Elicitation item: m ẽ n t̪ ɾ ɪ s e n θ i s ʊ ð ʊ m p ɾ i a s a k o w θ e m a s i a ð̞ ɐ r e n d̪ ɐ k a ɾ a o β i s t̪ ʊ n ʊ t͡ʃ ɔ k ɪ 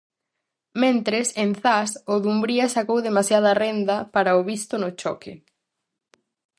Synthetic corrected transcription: m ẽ n t̪ ɾ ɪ s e n θ a s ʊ ð u m b ɾ i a s a k o w ð e m a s j a ð̞ ɐ r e n d̪ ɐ p a ɾ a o β i s t̪ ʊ n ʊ t͡ʃ ɔ k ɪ